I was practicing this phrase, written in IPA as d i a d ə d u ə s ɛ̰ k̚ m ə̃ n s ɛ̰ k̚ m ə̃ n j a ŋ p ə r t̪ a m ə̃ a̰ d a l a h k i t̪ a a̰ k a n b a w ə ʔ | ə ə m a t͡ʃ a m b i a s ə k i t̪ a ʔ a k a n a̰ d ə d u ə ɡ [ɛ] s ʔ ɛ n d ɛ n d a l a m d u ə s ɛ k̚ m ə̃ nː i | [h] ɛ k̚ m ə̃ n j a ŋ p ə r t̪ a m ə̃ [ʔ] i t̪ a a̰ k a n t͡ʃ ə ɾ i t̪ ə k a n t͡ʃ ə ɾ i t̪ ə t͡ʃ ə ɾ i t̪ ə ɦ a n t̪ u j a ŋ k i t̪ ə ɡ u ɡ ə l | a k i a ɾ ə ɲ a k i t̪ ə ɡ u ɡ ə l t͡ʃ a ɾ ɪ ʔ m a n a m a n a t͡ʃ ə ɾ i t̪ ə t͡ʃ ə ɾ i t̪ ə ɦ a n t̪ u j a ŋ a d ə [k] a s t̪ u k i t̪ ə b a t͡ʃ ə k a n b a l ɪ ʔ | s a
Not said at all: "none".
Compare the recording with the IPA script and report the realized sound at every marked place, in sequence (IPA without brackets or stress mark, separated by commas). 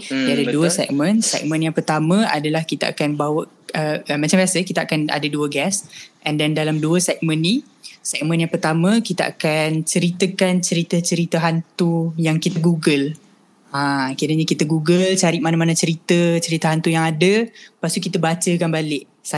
ɛ, s, k, p